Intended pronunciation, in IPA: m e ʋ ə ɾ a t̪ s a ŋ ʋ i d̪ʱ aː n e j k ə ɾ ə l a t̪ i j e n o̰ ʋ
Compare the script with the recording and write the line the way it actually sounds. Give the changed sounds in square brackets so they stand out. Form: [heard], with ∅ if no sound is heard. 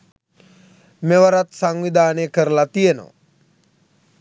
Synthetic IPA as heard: m e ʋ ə ɾ a t̪ s a ŋ ʋ i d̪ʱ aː n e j k ə ɾ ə l a t̪ i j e n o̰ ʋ